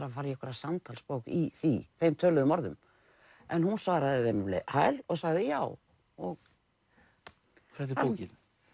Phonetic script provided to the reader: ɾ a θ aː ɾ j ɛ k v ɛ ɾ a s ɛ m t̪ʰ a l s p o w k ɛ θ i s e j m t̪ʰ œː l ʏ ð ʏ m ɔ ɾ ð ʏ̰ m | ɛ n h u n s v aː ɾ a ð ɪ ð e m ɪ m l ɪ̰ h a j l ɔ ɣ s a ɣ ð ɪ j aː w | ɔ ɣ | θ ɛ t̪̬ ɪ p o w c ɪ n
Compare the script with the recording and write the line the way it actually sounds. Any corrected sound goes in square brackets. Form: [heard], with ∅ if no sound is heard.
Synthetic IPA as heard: ɾ a [f] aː ɾ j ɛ k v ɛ ɾ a s [a] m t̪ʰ a l s p o w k [i] θ i [θ] e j m t̪ʰ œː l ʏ ð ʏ m ɔ ɾ ð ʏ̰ m | ɛ n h u n s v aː ɾ a ð ɪ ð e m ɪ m l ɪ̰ h a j l ɔ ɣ s a ɣ ð ɪ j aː w | ɔ ɣ | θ ɛ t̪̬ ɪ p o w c ɪ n